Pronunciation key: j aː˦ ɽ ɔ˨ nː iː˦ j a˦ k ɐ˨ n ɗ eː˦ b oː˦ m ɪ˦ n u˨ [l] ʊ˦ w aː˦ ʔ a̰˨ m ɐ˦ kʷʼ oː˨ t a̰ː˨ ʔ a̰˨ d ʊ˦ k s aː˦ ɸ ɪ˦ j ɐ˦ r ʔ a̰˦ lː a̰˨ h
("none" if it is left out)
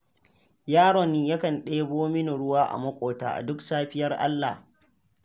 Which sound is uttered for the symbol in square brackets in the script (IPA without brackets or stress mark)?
ɽ